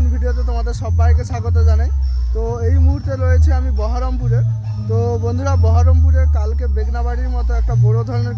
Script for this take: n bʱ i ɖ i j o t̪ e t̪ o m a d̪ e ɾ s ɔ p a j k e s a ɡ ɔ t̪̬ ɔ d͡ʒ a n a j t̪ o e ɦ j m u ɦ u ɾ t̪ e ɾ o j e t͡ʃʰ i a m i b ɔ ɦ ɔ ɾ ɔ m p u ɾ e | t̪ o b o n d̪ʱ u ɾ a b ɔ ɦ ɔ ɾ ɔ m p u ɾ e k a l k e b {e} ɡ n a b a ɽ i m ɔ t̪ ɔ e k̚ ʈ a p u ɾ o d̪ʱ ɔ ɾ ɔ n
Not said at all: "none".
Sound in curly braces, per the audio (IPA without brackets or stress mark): e